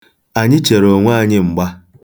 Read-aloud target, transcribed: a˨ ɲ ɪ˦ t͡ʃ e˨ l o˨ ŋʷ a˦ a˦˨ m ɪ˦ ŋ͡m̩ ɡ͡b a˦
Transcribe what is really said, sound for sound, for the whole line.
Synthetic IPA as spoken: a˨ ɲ ɪ˦ t͡ʃ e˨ ɾ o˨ ŋʷ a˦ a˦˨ ɲ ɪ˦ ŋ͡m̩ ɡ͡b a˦

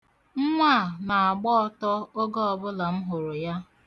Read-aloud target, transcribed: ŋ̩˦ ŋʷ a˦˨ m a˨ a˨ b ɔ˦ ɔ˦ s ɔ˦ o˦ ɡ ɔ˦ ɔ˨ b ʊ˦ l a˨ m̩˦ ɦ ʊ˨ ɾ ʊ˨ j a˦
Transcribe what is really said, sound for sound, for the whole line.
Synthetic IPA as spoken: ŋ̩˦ ŋʷ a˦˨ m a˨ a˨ ɡ͡b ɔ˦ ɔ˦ t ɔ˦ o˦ ɡ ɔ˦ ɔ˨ b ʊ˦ l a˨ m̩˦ ɦ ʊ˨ ɾ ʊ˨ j a˦

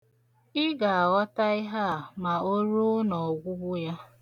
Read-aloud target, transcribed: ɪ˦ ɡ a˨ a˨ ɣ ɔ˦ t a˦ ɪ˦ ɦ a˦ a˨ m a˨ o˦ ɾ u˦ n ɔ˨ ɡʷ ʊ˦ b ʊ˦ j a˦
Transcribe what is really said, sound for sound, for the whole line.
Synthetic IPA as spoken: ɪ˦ ɡ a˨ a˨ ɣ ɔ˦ t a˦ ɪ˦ ɦ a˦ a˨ m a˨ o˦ ɾ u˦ n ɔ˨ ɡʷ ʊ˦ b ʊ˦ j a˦

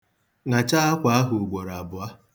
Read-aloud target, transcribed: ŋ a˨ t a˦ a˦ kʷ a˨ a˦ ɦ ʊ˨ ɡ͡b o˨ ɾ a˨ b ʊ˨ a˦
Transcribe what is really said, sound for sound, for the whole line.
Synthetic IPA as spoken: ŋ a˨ t͡ʃ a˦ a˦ kʷ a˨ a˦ ɦ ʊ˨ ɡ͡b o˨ ɾ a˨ b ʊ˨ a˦

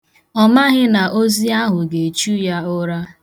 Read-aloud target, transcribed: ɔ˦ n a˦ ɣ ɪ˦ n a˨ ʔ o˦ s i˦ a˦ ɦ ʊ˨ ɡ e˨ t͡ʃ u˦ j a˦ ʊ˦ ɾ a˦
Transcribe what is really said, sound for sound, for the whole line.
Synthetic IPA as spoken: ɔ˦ m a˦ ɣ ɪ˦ n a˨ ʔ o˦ z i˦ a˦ ɦ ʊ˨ ɡ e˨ t͡ʃ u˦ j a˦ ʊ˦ ɾ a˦

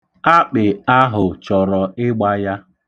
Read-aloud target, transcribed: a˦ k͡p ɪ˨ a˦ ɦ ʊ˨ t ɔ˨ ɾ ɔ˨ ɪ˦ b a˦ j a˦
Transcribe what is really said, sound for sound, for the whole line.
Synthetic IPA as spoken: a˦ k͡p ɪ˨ a˦ ɦ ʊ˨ t͡ʃ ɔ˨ ɾ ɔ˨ ɪ˦ ɡ͡b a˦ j a˦

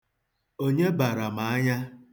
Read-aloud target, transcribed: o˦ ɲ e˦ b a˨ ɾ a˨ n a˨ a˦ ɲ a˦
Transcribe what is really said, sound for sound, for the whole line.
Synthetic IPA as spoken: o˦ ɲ e˦ b a˨ ɾ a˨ m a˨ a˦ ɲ a˦

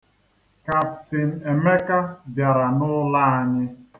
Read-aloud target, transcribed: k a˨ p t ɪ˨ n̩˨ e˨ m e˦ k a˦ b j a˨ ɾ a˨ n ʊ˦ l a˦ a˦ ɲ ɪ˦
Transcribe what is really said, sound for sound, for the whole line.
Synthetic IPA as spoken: k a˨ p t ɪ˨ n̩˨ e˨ m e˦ k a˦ b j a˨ ɾ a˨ n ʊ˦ l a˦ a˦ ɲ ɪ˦

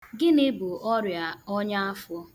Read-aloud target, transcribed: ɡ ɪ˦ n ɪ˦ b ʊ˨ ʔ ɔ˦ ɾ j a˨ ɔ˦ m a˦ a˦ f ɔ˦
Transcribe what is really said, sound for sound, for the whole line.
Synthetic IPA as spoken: ɡ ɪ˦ n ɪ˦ b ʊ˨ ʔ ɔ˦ ɾ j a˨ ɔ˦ ɲ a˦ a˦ f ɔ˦

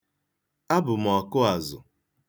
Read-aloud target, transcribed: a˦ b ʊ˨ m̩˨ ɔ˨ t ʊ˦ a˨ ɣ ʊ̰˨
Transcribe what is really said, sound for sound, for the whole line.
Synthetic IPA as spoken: a˦ b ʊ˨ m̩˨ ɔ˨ k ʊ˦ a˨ z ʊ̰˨

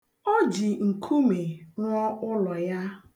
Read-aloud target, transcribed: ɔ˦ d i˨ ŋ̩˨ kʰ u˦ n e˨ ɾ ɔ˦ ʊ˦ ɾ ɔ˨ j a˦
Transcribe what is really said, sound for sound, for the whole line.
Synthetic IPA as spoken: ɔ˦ d͡ʒ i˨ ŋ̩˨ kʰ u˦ m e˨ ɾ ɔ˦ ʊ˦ l ɔ˨ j a˦

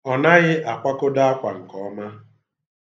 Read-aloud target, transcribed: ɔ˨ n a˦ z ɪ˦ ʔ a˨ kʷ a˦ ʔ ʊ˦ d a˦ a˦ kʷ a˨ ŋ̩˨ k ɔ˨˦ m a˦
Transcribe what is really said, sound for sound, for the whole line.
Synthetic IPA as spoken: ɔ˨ n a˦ ɣ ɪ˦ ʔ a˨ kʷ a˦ k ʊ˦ d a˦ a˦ kʷ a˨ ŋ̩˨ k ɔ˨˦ m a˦

